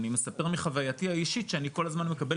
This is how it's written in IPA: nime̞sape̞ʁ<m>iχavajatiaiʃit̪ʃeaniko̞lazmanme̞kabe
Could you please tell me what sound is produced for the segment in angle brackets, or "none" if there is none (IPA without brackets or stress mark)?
m